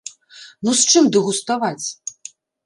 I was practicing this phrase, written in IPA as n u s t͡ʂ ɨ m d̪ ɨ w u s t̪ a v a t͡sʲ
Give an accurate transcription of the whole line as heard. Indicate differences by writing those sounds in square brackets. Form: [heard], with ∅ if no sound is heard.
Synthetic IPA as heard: n u s t͡ʂ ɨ m d̪ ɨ [ɣ] u s t̪ a v a t͡sʲ